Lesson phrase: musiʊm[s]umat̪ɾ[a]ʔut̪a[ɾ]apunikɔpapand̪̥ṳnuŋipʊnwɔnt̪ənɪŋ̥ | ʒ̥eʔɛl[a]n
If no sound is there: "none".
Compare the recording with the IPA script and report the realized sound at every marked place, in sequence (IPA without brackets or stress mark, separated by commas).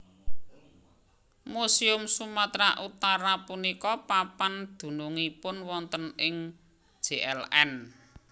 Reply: s, a, ɾ, ɛ